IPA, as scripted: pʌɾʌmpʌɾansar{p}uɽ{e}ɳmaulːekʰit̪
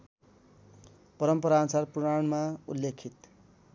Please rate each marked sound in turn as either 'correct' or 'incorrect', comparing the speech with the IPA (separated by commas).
correct, incorrect